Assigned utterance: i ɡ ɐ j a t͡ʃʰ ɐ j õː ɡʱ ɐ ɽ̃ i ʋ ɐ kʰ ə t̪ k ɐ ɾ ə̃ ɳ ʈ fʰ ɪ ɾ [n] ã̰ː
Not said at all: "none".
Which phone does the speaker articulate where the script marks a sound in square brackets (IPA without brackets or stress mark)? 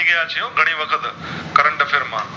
m